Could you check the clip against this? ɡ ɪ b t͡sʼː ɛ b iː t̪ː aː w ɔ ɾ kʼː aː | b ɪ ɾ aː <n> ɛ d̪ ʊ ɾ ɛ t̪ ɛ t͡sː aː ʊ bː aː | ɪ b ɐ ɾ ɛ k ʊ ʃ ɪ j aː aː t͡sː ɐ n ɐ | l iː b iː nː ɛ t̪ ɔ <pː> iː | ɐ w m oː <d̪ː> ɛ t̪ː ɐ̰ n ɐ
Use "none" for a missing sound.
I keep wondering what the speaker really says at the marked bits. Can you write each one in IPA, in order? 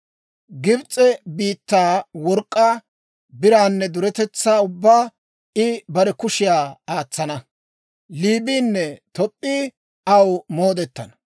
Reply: nː, pʼː, d̪

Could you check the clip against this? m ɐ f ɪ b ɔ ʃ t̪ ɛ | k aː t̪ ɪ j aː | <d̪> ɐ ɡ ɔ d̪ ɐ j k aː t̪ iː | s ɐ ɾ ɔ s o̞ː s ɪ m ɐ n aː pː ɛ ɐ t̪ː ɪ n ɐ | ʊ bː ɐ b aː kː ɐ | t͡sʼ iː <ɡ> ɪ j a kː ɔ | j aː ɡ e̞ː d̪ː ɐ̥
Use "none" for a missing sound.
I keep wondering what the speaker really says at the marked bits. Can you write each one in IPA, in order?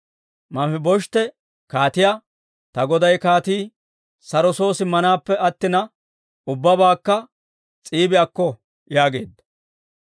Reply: t̪, b

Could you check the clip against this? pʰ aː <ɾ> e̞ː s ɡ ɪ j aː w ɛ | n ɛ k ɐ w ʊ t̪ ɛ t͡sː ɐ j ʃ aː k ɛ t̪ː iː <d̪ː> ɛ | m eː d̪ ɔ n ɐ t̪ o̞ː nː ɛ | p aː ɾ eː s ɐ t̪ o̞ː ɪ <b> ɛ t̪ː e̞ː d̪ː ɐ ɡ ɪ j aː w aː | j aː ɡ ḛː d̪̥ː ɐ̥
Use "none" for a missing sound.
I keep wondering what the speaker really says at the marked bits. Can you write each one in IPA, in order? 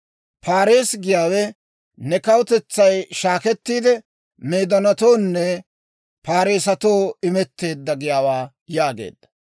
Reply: ɾ, d̪, m

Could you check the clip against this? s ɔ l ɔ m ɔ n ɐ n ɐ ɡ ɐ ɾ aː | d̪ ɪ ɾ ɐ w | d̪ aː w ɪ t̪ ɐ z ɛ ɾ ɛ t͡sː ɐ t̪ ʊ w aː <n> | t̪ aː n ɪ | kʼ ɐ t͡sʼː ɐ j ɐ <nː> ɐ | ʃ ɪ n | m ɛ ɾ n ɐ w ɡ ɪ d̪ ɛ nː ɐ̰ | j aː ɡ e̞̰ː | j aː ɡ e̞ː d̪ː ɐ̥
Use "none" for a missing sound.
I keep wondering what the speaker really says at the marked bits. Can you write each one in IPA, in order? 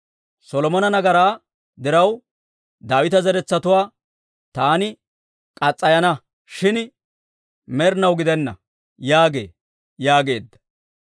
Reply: none, n

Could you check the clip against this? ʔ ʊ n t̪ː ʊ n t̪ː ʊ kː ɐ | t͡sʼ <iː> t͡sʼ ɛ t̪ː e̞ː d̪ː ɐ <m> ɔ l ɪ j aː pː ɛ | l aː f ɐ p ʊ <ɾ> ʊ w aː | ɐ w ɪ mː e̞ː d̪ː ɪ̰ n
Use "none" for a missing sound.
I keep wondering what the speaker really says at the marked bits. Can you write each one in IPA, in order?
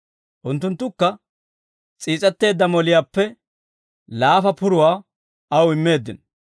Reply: iː, m, ɾ

